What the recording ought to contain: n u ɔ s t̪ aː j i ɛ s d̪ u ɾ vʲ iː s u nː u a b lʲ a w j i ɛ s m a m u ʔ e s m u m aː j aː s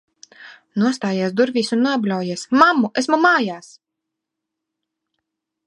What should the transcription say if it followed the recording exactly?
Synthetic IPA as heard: n u ɔ s t̪ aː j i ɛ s d̪ u ɾ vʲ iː s u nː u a b lʲ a w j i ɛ s m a m u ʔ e s m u m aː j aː s